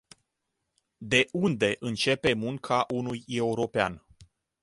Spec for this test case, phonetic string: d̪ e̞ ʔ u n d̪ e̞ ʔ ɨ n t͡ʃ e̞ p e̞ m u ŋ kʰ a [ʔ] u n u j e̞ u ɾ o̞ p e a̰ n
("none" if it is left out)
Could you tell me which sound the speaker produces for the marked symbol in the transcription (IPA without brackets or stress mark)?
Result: ʔ